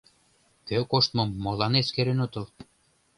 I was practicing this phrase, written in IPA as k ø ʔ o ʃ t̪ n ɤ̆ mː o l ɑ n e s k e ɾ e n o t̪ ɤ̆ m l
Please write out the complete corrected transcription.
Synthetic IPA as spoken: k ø k o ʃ t̪ m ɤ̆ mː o l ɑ n e s k e ɾ e n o t̪ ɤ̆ l